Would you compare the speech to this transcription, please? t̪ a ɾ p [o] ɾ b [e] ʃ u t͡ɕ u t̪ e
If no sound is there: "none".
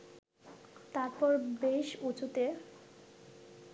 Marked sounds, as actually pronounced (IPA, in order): ɔ, e

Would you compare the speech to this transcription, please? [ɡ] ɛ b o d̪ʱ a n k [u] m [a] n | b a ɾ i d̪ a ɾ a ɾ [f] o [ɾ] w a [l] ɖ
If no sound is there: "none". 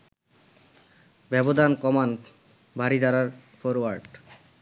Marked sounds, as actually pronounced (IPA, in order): b, ɔ, a, f, ɾ, ɾ

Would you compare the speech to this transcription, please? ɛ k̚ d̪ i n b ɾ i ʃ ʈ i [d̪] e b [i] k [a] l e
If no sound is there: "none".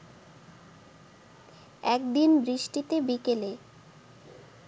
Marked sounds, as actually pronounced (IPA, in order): t̪, i, e

